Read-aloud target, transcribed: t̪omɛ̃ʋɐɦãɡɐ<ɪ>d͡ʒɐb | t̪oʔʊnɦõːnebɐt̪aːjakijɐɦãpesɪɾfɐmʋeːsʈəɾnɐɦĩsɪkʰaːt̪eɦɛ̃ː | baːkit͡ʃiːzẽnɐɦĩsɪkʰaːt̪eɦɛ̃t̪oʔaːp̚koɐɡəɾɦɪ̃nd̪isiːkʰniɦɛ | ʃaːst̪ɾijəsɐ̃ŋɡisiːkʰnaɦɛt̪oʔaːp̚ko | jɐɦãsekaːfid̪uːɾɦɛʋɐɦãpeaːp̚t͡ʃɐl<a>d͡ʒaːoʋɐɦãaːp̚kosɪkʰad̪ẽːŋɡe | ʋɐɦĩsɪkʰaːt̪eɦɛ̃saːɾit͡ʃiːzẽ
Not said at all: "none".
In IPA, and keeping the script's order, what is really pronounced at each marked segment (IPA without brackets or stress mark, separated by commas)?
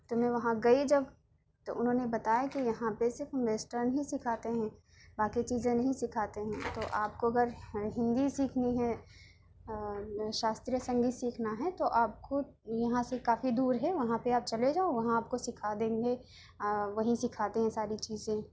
i, e